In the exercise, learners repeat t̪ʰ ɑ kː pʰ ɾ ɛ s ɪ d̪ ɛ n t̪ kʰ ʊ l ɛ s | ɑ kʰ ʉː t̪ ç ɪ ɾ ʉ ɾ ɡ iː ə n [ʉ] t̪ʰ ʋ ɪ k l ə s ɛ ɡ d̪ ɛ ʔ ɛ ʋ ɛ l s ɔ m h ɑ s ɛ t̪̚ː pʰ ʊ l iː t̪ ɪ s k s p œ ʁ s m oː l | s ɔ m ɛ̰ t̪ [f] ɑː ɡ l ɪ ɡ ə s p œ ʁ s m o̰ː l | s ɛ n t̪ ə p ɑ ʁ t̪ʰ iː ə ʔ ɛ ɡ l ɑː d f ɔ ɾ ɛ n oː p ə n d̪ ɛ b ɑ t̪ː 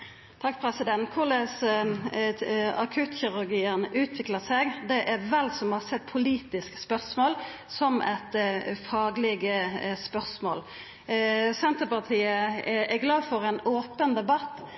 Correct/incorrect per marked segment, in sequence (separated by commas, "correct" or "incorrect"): incorrect, correct